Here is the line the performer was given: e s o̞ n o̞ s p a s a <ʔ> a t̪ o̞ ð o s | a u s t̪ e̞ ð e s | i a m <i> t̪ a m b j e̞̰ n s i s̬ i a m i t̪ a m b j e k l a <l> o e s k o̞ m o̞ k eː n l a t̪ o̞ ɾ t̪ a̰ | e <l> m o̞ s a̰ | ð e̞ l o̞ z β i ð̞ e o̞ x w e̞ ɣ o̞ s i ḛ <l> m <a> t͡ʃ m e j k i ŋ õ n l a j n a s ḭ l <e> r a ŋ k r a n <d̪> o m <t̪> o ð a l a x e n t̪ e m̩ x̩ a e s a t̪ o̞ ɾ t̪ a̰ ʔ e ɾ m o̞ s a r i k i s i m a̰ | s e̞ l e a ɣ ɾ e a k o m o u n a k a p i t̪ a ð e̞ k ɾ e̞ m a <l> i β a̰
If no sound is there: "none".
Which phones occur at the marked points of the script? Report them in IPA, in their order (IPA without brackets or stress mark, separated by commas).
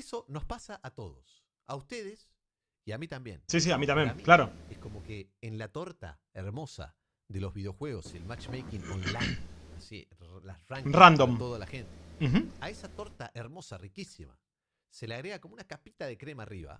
ʔ, i, ɾ, ɾ, l, a, a, d̪, t̪, r